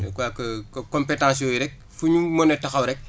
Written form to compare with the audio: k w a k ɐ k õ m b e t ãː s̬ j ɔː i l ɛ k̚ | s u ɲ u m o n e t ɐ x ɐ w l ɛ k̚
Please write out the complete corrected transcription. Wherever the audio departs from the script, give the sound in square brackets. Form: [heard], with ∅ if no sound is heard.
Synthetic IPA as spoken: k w a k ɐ k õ m [p] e t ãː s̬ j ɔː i [ɾ] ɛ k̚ | [f] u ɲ u m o n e t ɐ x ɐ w [ɾ] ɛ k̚